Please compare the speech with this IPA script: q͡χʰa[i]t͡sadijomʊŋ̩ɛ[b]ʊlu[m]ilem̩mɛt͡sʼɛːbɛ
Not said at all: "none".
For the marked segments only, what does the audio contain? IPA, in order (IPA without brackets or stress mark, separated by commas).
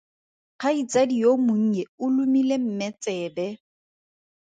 i, none, m